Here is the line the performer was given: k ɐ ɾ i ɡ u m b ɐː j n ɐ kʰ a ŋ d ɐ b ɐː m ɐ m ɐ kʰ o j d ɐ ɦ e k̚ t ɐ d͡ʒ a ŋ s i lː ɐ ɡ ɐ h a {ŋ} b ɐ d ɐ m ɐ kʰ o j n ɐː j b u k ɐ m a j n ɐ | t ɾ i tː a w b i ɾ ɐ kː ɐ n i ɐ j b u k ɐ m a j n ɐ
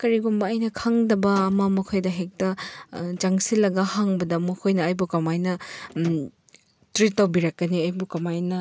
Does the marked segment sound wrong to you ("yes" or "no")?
no